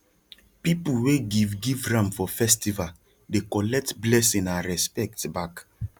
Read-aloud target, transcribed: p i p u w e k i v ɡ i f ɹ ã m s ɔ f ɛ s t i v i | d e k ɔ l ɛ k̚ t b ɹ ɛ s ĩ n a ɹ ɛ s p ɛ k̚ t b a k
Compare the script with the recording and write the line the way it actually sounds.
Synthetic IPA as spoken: p i p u w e ɡ i v ɡ i v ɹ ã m f ɔ f ɛ s t i v a | d e k ɔ l ɛ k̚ t b l ɛ s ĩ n a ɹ ɛ s p ɛ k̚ t b a k